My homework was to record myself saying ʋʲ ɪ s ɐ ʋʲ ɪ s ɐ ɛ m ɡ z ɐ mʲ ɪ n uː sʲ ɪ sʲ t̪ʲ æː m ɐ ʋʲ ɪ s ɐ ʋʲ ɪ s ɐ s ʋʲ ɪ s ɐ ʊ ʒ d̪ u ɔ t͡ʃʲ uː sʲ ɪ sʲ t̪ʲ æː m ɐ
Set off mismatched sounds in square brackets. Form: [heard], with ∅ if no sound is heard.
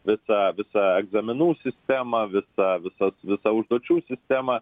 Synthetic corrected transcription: ʋʲ ɪ s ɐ ʋʲ ɪ s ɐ ɛ [∅] ɡ z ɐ mʲ ɪ n uː sʲ ɪ sʲ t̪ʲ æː m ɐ ʋʲ ɪ s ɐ ʋʲ ɪ s ɐ s ʋʲ ɪ s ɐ ʊ ʒ d̪ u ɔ t͡ʃʲ uː sʲ ɪ sʲ t̪ʲ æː m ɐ

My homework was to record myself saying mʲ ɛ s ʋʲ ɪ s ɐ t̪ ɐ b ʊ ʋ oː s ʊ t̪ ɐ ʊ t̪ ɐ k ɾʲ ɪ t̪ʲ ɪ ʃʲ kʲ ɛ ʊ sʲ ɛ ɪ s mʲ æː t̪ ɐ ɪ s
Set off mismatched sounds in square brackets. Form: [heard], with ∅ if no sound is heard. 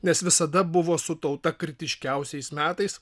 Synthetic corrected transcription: [nʲ] ɛ s ʋʲ ɪ s ɐ [d̪] ɐ b ʊ ʋ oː s ʊ t̪ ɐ ʊ t̪ ɐ k ɾʲ ɪ t̪ʲ ɪ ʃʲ kʲ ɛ ʊ sʲ ɛ ɪ s mʲ æː t̪ ɐ ɪ s

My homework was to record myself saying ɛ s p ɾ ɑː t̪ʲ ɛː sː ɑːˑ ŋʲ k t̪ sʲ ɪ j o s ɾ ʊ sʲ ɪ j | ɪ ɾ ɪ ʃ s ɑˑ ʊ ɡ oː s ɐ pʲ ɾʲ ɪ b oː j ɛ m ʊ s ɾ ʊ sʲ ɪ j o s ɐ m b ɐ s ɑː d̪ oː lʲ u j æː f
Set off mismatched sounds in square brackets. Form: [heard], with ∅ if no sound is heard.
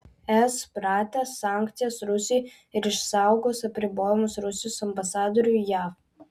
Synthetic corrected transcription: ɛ s p ɾ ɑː t̪ʲ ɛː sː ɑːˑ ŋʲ k t̪ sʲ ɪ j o s ɾ ʊ sʲ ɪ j | ɪ ɾ ɪ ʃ s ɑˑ ʊ ɡ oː s ɐ pʲ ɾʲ ɪ b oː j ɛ m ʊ s ɾ ʊ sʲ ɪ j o s ɐ m b ɐ s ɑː d̪ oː [ɾʲ] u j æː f

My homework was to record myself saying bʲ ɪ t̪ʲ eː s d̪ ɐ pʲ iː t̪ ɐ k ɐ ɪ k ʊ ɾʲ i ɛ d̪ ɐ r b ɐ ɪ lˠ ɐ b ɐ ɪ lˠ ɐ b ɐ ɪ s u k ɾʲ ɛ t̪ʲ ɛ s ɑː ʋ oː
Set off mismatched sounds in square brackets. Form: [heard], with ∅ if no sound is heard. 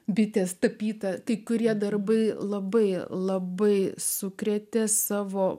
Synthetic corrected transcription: bʲ ɪ t̪ʲ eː s [t̪] ɐ pʲ iː t̪ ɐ k ɐ ɪ k ʊ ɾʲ i ɛ d̪ ɐ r b ɐ ɪ lˠ ɐ b ɐ ɪ lˠ ɐ b ɐ ɪ s [ʊ] k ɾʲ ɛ t̪ʲ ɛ s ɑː ʋ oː

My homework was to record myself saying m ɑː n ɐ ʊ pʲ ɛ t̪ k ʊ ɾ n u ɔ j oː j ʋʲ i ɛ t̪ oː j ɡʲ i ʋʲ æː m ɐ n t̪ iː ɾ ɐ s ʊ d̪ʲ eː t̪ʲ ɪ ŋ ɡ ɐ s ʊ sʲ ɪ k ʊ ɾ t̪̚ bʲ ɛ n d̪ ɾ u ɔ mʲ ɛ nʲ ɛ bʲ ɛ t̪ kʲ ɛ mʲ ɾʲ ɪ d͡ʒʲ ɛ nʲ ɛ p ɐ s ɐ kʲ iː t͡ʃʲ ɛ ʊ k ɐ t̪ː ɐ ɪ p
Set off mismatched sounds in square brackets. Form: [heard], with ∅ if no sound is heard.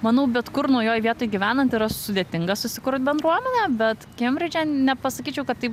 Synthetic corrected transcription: m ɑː n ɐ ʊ [bʲ] ɛ t̪ k ʊ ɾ n u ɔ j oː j ʋʲ i ɛ t̪ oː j ɡʲ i ʋʲ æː [n] ɐ n t̪ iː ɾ ɐ s ʊ d̪ʲ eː t̪ʲ ɪ ŋ ɡ ɐ s ʊ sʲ ɪ k ʊ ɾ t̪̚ bʲ ɛ n d̪ ɾ u ɔ mʲ ɛ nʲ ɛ bʲ ɛ t̪ kʲ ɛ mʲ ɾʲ ɪ d͡ʒʲ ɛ nʲ ɛ p ɐ s ɐ kʲ iː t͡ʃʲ ɛ ʊ k ɐ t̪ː ɐ ɪ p

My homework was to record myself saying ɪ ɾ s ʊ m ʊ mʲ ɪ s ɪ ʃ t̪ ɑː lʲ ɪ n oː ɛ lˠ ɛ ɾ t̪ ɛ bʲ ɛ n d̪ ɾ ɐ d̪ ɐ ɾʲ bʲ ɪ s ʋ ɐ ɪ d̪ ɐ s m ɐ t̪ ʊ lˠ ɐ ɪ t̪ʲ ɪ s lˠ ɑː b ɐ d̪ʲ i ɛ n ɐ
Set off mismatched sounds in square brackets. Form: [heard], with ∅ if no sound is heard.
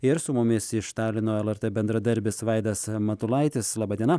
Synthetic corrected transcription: ɪ ɾ s ʊ m ʊ mʲ ɪ s ɪ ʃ t̪ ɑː lʲ ɪ n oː ɛ lˠ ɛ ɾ t̪ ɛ bʲ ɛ n d̪ ɾ ɐ d̪ ɐ ɾʲ bʲ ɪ s ʋ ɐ ɪ d̪ ɐ s m ɐ t̪ ʊ lˠ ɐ ɪ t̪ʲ ɪ s lˠ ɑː b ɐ d̪ʲ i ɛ n ɐ

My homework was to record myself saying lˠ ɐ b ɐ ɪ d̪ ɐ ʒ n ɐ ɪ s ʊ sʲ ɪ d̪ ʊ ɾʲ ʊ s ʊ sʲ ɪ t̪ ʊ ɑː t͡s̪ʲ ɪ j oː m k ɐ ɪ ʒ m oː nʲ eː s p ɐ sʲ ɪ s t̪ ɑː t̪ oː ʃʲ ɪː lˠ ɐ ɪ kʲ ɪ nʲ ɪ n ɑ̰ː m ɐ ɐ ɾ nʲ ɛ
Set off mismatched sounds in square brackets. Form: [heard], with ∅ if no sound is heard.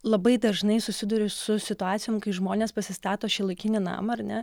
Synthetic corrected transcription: lˠ ɐ b ɐ ɪ d̪ ɐ ʒ n ɐ ɪ s ʊ sʲ ɪ d̪ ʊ ɾʲ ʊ s ʊ sʲ ɪ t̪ ʊ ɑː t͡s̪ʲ ɪ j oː m k ɐ ɪ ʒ m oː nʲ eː s p ɐ sʲ ɪ s t̪ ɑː t̪ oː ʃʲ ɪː lˠ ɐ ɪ kʲ ɪ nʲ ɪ n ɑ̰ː m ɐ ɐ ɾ nʲ ɛ

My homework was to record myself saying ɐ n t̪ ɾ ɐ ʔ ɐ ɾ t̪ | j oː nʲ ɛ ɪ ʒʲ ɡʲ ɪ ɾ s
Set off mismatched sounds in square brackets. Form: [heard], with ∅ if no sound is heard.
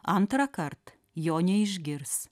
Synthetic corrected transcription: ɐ n t̪ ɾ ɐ [k] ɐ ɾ t̪ | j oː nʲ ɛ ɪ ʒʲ ɡʲ ɪ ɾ s

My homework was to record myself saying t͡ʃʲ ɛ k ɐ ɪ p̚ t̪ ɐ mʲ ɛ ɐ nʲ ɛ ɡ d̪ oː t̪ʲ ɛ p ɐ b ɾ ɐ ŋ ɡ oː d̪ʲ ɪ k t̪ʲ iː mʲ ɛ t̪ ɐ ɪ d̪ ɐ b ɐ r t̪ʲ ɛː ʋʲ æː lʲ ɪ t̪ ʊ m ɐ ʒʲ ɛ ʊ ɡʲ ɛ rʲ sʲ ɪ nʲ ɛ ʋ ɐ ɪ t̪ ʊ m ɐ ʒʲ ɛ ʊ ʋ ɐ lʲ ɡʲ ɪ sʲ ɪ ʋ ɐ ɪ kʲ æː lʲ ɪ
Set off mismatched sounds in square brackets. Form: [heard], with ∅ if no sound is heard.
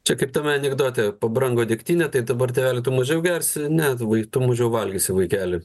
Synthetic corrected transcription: t͡ʃʲ ɛ k ɐ ɪ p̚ t̪ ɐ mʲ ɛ ɐ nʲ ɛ ɡ d̪ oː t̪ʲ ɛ p ɐ b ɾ ɐ ŋ ɡ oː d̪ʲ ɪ k t̪ʲ iː [nʲ] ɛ t̪ ɐ ɪ d̪ ɐ b ɐ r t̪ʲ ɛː ʋʲ æː lʲ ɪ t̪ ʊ m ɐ ʒʲ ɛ ʊ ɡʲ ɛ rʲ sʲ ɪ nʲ ɛ ʋ ɐ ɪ t̪ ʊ m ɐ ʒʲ ɛ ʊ ʋ ɐ lʲ ɡʲ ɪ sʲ ɪ ʋ ɐ ɪ kʲ æː lʲ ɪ

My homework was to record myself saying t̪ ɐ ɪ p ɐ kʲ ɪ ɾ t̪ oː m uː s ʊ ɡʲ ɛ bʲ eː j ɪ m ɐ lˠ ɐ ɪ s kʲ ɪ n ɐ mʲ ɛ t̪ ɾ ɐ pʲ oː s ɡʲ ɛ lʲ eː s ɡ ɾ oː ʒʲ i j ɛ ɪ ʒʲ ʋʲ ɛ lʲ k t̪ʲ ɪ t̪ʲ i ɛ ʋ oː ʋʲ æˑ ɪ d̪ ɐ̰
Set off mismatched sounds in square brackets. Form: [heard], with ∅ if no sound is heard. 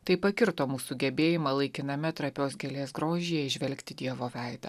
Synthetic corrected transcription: t̪ ɐ ɪ p ɐ kʲ ɪ ɾ t̪ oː m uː s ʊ ɡʲ ɛ bʲ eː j ɪ m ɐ lˠ ɐ ɪ [∅] kʲ ɪ n ɐ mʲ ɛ t̪ ɾ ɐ pʲ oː s ɡʲ ɛ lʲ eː s ɡ ɾ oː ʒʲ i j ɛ ɪ ʒʲ ʋʲ ɛ lʲ k t̪ʲ ɪ [d̪ʲ] i ɛ ʋ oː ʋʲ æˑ ɪ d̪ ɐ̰

